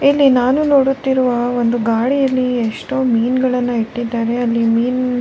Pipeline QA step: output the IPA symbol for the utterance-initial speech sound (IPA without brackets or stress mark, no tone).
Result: i